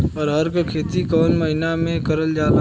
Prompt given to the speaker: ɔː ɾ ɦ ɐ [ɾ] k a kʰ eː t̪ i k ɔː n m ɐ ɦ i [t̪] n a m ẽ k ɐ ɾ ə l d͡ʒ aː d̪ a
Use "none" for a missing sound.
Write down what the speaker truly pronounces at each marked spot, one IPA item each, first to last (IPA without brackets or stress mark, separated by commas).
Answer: ɾ, none